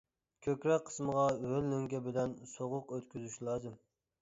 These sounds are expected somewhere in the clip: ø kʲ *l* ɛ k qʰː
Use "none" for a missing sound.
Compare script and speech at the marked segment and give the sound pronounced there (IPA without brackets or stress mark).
ɾ